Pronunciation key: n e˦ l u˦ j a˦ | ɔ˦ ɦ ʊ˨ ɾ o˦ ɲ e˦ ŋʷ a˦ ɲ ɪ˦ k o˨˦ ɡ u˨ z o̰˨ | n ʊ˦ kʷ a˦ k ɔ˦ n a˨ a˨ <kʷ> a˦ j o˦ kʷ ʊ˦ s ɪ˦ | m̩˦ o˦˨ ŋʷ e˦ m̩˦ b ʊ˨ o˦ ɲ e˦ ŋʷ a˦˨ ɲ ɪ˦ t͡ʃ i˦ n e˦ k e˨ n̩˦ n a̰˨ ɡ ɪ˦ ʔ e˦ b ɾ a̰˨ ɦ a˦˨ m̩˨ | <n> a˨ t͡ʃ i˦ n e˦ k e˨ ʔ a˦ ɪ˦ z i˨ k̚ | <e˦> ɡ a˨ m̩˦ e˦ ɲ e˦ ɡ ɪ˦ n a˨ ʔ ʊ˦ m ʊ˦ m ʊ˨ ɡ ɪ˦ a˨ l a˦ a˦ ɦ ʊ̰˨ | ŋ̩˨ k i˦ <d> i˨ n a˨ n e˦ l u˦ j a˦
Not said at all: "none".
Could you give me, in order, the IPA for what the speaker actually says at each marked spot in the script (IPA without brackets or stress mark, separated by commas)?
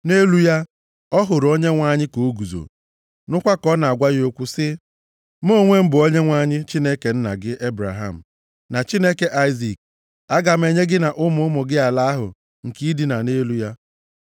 ɡʷ, n, a˦, d